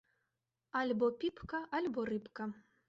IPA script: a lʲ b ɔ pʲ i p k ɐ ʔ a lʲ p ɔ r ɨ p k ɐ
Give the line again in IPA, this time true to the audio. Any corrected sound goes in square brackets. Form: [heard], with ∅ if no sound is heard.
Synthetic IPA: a lʲ b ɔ pʲ i p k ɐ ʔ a lʲ [b] ɔ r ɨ p k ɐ

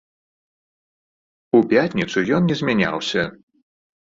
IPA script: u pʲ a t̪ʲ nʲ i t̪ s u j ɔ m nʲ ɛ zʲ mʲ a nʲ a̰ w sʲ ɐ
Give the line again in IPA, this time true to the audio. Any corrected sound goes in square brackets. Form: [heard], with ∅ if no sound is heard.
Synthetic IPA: u pʲ a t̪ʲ nʲ i t̪ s u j ɔ [n] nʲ ɛ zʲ mʲ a nʲ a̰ w sʲ ɐ

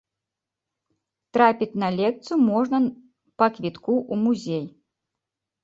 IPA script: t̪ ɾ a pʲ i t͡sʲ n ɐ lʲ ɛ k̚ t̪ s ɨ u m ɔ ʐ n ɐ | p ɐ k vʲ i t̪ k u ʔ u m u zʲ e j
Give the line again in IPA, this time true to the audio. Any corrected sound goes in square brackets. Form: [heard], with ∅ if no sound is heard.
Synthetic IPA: t̪ ɾ a pʲ i t͡sʲ n ɐ lʲ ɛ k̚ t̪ s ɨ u m ɔ ʐ n ɐ | p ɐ k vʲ i t̪ k u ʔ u m u zʲ e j

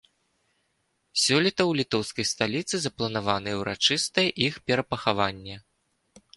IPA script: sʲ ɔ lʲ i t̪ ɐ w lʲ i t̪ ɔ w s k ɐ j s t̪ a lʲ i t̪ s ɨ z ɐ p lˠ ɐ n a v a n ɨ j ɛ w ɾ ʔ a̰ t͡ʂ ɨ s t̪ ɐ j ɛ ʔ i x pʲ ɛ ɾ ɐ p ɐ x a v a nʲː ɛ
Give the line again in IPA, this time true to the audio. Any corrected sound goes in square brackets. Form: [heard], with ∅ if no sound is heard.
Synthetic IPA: sʲ ɔ lʲ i t̪ ɐ w lʲ i t̪ ɔ w s k ɐ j s t̪ a lʲ i t̪ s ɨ z ɐ p lˠ ɐ n a v a n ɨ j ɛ w ɾ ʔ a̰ t͡ʂ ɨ s t̪ ɐ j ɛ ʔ i x pʲ ɛ ɾ ɐ p ɐ x a v a nʲː ɛ

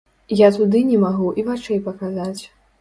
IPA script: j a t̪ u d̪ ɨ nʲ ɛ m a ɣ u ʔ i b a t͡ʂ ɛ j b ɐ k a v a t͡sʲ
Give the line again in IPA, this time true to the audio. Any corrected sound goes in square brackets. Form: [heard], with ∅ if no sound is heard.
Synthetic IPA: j a t̪ u d̪ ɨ nʲ ɛ m a ɣ u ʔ i [v] a t͡ʂ ɛ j [p] ɐ k a [z] a t͡sʲ

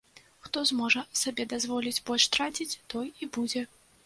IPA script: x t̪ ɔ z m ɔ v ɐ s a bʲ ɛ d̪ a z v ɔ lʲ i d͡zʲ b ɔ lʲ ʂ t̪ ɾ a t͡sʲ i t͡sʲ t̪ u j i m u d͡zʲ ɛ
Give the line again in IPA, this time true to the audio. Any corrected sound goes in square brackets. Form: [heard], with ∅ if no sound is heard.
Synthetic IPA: x t̪ ɔ z m ɔ [ʐ] ɐ s a bʲ ɛ d̪ a z v ɔ lʲ i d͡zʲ b ɔ lʲ ʂ t̪ ɾ a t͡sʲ i t͡sʲ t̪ [ɔ] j i [b] u d͡zʲ ɛ

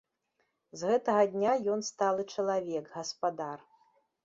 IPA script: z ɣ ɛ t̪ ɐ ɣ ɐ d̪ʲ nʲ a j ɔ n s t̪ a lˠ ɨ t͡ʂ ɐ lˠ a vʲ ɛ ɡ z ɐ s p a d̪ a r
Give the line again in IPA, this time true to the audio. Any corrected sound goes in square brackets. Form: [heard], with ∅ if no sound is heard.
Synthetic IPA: z ɣ ɛ t̪ ɐ ɣ ɐ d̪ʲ nʲ a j ɔ n s t̪ a lˠ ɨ t͡ʂ ɐ lˠ a vʲ ɛ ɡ [ɣ] ɐ s p a d̪ a r

